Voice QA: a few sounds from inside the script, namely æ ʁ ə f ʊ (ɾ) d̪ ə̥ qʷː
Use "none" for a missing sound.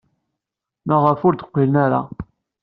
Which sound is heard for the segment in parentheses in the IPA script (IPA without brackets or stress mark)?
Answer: ɾ